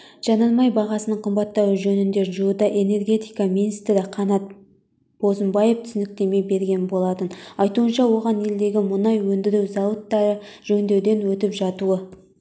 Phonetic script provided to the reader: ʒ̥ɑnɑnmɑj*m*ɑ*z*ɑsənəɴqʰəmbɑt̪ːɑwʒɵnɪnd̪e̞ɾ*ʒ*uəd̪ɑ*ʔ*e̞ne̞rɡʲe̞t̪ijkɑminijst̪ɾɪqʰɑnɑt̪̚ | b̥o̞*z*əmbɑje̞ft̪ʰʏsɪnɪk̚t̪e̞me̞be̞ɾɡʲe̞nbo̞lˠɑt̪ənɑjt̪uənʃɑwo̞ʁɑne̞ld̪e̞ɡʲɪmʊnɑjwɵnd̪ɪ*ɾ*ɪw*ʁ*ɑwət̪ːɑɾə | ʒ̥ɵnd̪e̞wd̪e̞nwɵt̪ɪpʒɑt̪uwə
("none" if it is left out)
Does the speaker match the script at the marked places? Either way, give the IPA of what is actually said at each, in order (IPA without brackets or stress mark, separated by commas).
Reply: b, ʁ, ʒ, ʔ, z, ɾ, z